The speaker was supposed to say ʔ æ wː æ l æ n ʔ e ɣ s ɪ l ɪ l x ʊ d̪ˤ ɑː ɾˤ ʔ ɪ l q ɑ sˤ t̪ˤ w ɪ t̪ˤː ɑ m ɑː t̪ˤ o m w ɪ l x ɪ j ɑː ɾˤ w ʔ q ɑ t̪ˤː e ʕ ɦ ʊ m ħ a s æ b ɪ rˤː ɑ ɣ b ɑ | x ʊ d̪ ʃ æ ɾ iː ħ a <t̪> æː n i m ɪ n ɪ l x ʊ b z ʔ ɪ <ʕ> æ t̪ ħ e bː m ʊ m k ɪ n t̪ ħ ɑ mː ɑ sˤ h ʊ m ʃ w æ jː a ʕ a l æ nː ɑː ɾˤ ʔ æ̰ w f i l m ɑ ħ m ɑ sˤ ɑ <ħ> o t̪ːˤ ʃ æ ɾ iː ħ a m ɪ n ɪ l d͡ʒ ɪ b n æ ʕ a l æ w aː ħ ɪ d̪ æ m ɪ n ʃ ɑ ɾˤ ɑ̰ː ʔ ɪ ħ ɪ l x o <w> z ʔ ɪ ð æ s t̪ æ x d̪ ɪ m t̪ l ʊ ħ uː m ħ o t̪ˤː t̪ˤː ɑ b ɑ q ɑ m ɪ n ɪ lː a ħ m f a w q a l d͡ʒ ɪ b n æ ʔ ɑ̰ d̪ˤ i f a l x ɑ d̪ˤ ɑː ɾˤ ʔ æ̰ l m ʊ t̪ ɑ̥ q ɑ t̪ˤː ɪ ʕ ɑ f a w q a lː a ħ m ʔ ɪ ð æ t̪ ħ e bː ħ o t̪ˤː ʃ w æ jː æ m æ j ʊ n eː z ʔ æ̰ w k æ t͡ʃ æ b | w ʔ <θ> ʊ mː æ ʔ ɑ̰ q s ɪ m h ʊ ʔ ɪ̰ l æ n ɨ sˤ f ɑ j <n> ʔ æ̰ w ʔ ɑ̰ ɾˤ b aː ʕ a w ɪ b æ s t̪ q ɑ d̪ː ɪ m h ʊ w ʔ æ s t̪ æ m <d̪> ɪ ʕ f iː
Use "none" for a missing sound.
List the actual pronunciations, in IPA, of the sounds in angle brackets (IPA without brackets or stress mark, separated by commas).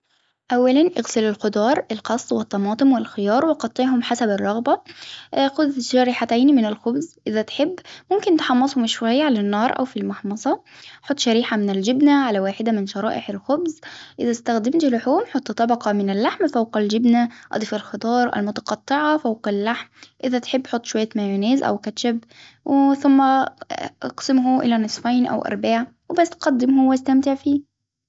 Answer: t̪, ð, ħ, b, θ, n, t̪